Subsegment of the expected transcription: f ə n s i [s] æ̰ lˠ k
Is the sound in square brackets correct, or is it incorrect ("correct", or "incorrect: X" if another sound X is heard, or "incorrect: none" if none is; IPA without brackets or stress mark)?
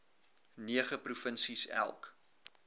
correct